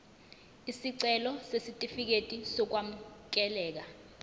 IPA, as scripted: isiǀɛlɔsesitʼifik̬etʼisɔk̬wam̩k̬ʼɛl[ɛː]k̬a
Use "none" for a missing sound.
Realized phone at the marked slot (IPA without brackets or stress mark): ɛː